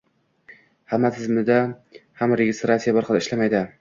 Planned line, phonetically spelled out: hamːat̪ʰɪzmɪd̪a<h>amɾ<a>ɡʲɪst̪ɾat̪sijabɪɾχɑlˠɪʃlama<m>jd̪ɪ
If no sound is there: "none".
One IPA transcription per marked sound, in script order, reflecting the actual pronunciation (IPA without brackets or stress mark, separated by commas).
h, e, none